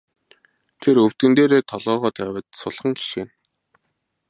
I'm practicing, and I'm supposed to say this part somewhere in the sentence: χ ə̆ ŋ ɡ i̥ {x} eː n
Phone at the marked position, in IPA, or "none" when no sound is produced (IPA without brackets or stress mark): ʃ